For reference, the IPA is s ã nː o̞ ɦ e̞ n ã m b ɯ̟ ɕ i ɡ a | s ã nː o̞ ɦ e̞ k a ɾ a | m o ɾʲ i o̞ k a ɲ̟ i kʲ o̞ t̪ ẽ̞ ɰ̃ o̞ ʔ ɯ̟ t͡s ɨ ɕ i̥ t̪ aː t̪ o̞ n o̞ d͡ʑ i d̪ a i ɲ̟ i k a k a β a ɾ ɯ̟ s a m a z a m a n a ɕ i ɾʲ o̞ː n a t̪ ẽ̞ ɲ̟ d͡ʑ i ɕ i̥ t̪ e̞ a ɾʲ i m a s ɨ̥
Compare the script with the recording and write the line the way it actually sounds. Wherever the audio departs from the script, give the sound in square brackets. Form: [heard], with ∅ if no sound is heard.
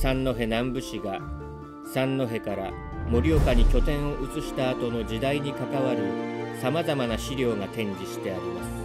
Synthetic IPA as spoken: s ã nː o̞ ɦ e̞ n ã m b ɯ̟ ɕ i ɡ a | s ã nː o̞ ɦ e̞ k a ɾ a | m o ɾʲ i o̞ k a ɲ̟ i kʲ o̞ t̪ ẽ̞ ɰ̃ o̞ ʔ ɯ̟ t͡s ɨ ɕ i̥ t̪ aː t̪ o̞ n o̞ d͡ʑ i d̪ a i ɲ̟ i k a k a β a ɾ ɯ̟ s a m a z a m a n a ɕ i ɾʲ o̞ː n a t̪ ẽ̞ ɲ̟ d͡ʑ i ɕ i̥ t̪ e̞ a ɾʲ i m a s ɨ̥